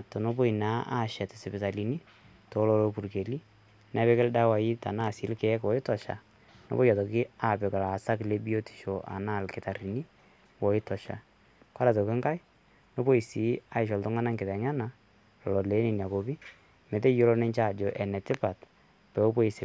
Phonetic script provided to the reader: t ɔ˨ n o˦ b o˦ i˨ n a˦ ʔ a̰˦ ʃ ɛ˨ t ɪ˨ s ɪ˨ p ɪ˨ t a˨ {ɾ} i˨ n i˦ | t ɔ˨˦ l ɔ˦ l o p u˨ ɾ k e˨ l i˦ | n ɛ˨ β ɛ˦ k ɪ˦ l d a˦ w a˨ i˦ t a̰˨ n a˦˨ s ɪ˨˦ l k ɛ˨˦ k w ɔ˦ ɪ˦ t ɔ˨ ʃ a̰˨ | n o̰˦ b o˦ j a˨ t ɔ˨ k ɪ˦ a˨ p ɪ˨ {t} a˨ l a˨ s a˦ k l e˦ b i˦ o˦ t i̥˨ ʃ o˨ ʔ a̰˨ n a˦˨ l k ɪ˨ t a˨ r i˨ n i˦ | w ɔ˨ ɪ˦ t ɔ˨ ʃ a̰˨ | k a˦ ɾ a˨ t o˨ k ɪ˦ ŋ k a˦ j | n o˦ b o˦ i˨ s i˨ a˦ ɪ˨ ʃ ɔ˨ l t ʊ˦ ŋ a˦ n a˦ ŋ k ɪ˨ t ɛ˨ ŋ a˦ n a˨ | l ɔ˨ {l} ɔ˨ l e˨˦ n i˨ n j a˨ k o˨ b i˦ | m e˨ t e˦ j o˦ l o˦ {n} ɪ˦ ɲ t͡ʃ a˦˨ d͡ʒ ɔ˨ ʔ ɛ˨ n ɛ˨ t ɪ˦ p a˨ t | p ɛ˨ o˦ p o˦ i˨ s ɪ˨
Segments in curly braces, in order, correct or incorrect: incorrect: l, incorrect: k, correct, correct

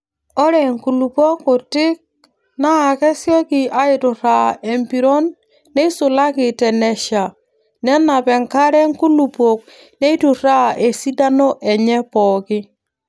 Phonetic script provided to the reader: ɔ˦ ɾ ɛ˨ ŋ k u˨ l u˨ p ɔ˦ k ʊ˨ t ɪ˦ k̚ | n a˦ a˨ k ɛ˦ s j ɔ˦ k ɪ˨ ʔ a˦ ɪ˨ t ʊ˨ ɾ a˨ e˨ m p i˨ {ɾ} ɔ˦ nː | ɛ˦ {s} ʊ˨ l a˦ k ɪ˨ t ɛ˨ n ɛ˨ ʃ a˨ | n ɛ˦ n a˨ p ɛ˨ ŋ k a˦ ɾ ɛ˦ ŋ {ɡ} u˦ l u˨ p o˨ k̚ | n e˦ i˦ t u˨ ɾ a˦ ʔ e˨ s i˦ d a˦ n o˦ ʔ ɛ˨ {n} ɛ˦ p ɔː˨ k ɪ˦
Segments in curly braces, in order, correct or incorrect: correct, correct, incorrect: k, incorrect: ɲ

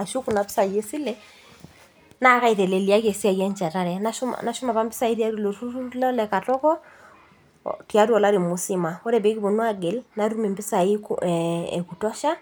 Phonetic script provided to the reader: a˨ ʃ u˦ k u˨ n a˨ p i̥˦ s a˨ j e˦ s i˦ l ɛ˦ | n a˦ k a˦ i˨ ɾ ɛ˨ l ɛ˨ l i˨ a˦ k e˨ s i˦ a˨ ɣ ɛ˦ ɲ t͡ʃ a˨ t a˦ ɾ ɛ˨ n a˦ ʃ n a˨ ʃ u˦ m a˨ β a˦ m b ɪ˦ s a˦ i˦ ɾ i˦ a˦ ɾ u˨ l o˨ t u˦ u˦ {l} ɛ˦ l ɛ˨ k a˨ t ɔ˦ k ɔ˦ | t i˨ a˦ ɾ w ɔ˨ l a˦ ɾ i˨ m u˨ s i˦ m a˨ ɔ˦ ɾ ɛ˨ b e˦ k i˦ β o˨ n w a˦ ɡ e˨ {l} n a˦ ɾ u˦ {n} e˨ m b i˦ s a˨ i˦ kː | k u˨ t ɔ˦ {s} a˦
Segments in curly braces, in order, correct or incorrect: correct, correct, incorrect: m, incorrect: ʃ

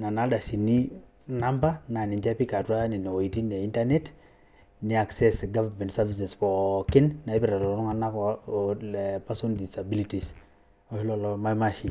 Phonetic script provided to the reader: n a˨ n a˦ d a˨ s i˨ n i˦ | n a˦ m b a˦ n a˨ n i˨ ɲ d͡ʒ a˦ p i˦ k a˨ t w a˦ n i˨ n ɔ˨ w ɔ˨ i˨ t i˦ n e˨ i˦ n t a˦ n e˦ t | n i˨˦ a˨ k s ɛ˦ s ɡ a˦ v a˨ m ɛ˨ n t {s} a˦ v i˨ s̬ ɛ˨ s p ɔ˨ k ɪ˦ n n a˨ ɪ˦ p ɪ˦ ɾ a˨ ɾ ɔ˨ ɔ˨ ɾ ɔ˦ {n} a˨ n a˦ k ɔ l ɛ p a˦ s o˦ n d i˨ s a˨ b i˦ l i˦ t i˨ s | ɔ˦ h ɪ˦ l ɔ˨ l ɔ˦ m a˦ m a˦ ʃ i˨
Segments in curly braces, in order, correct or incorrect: correct, incorrect: ŋ

